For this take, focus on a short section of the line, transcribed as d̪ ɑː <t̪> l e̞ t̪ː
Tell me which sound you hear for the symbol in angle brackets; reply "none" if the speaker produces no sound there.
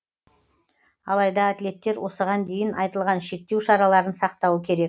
t̪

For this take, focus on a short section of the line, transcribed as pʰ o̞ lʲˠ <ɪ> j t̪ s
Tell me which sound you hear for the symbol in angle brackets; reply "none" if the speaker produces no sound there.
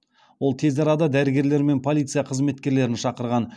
i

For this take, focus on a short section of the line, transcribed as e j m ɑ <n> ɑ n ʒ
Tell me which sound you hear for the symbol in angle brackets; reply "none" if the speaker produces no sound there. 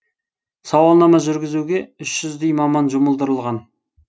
m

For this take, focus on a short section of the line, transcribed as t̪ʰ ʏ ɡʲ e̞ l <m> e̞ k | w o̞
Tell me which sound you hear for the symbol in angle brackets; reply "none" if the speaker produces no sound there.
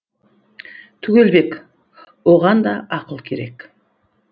b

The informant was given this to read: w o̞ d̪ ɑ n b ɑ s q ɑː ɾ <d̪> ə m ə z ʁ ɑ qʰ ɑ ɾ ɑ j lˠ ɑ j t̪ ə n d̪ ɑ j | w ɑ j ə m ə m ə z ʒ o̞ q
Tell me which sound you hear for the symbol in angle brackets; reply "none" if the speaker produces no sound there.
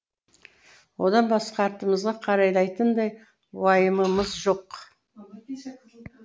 t̪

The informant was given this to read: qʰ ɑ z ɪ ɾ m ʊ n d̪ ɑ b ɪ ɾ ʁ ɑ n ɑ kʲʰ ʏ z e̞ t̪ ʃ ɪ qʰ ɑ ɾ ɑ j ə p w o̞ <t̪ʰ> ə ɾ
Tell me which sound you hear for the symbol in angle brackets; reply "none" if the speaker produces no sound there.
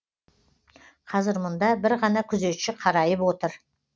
t̪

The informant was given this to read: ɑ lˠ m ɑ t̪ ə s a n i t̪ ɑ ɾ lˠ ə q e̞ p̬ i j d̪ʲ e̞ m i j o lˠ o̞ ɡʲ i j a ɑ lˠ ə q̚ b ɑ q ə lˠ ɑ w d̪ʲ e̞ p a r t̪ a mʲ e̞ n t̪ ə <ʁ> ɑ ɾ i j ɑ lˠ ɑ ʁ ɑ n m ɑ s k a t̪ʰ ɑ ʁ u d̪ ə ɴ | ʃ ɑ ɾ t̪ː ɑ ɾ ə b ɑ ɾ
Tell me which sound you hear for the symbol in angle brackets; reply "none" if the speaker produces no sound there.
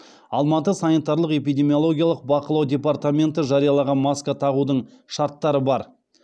ʒ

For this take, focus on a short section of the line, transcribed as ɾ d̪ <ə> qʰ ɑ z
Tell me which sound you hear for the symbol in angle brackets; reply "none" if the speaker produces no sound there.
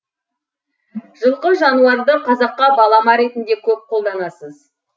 ə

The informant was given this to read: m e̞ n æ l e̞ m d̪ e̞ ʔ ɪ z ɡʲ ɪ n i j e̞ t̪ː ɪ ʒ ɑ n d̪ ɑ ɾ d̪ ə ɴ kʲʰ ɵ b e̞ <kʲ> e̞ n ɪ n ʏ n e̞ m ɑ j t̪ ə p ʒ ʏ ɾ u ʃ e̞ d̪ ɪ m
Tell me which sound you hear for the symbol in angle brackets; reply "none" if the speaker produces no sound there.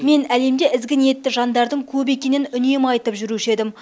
kʲ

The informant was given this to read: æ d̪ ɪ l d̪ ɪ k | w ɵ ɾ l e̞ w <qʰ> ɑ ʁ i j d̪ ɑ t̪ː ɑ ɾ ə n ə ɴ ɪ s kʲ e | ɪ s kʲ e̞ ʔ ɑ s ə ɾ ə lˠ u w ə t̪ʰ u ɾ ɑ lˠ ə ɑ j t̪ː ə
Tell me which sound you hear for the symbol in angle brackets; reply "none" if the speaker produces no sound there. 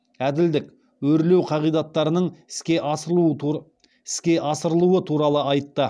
qʰ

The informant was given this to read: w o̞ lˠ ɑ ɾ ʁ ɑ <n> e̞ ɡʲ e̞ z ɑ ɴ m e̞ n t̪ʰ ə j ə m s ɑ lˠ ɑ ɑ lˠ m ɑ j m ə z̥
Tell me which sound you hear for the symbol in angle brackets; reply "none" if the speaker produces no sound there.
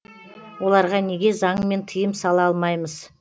n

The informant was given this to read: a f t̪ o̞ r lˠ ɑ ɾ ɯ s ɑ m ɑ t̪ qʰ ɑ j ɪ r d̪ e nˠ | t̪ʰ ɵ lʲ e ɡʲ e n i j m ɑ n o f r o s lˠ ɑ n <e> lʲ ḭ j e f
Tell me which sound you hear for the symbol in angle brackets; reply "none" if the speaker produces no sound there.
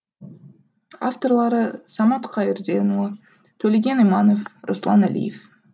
æ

